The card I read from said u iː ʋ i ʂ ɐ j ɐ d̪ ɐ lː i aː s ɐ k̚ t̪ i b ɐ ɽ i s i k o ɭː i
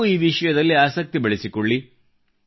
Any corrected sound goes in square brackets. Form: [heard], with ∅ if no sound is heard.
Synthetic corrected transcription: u iː ʋ i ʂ ɐ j ɐ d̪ ɐ lː i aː s ɐ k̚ t̪ i b ɐ [ɭ] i s i k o ɭː i